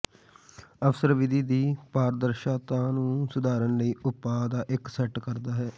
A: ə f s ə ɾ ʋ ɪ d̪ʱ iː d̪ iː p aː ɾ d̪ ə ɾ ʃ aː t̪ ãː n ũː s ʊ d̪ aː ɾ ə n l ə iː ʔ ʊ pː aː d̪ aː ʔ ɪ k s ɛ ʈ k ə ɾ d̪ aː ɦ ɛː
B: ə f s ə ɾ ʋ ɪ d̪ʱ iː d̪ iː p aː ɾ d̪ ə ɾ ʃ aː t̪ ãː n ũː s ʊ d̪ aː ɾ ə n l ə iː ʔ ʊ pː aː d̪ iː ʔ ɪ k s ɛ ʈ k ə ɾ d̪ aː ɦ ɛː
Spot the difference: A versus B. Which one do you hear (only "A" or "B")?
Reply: A